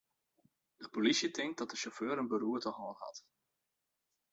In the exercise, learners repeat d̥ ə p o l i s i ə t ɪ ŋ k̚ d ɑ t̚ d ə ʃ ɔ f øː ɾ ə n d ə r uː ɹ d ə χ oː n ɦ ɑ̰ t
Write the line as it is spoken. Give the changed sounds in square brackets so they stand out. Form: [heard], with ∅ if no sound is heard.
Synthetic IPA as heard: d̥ ə p o l i s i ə t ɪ ŋ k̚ d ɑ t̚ d ə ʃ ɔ f øː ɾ ə n [b] ə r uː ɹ [t] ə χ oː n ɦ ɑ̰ t